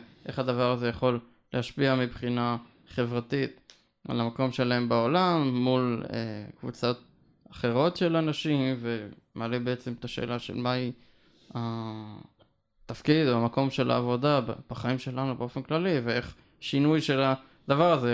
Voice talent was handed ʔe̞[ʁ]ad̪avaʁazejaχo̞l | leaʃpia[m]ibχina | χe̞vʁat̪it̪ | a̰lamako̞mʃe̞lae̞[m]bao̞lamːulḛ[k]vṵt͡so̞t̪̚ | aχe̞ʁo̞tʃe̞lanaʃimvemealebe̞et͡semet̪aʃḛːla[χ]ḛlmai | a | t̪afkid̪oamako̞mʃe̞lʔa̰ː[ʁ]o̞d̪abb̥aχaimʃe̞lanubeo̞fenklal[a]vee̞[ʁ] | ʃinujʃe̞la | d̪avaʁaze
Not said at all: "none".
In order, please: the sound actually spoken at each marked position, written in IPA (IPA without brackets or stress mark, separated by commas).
χ, m, m, k, ʃ, v, i, χ